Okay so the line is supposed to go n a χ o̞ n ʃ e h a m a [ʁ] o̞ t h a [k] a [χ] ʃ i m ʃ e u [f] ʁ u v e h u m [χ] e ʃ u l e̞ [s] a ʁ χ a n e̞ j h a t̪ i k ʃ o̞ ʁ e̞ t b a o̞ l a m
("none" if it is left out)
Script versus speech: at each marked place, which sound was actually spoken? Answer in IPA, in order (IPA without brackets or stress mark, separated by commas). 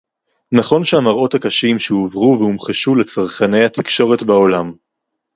ʁ, k, none, v, χ, t͡s